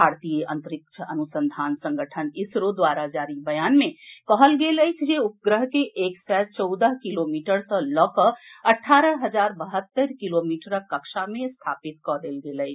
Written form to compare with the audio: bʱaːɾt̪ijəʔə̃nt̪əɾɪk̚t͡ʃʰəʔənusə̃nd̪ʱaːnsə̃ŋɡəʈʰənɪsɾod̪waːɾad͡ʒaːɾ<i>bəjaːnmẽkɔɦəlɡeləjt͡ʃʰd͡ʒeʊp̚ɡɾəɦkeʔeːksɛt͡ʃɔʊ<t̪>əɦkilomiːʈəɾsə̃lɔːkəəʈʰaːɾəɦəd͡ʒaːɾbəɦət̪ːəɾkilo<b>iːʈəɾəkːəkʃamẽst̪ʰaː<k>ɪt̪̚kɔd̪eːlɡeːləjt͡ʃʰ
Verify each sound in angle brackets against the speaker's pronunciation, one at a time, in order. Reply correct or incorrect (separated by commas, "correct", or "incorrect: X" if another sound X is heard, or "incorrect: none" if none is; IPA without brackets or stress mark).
correct, incorrect: d̪, incorrect: m, incorrect: p